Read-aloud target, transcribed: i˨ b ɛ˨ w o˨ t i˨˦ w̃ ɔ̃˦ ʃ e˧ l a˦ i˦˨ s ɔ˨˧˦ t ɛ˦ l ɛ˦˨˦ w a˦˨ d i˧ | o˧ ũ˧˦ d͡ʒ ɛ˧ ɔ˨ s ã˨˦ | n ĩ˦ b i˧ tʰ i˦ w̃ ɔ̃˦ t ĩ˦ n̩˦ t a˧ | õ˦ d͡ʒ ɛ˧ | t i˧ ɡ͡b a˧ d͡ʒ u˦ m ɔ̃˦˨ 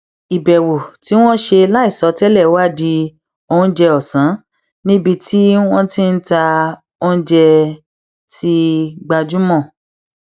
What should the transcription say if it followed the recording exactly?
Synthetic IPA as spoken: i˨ b ɛ˨ w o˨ t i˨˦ w̃ ɔ̃˦ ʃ e˧ l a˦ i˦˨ s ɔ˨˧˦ t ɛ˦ l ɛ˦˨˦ w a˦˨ d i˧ | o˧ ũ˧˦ d͡ʒ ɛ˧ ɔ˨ s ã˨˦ | n ĩ˦ b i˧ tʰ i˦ w̃ ɔ̃˦ t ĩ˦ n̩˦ t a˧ | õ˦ d͡ʒ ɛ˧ | t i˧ ɡ͡b a˧ d͡ʒ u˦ m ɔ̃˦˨

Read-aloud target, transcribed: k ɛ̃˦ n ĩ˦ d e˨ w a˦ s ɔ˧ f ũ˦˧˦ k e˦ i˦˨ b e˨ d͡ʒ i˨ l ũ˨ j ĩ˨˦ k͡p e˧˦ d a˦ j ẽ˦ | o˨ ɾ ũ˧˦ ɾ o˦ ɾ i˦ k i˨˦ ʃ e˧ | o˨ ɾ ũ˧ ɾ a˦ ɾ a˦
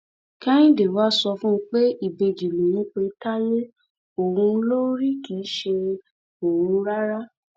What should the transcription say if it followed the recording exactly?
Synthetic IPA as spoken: k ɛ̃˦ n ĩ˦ d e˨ w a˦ s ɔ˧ f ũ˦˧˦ k͡p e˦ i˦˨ b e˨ d͡ʒ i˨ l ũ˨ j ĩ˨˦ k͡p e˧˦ t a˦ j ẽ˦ | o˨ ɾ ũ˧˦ l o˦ ɾ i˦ k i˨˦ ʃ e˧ | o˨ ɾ ũ˧ ɾ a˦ ɾ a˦

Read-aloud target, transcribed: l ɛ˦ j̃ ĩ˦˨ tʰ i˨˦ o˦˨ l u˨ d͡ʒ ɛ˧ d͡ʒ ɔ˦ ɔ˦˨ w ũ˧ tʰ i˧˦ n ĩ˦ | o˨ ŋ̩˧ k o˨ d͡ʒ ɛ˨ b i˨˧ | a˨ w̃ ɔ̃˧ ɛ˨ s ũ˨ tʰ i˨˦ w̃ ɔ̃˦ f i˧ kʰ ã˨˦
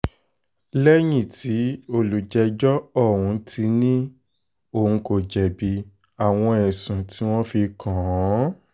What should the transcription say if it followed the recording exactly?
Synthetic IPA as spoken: l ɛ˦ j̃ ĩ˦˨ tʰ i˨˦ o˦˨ l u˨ d͡ʒ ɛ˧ d͡ʒ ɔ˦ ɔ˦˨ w ũ˧ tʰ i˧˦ n ĩ˦ | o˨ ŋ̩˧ k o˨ d͡ʒ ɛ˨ b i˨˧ | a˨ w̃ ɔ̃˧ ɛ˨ s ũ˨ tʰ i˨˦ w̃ ɔ̃˦ f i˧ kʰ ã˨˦

